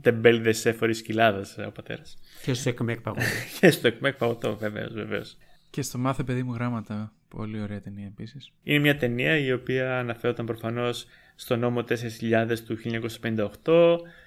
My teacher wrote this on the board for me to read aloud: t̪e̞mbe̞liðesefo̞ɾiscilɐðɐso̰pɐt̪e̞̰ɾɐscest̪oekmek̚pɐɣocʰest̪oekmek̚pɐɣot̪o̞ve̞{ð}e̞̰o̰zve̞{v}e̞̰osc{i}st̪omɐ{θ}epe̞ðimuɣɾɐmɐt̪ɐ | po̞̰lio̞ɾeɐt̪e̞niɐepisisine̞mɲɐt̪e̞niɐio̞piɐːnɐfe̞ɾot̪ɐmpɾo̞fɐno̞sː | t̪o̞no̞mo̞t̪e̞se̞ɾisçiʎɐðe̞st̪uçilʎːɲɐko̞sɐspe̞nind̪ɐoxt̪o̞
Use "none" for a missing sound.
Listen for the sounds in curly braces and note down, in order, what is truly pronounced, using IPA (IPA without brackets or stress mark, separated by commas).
v, v, e, θ